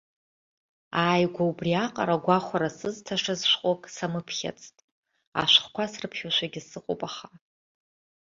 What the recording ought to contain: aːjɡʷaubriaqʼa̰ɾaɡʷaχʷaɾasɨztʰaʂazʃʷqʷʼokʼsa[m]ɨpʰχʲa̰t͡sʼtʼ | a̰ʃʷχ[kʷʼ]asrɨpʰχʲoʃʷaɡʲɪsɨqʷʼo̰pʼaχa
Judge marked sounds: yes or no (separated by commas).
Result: yes, no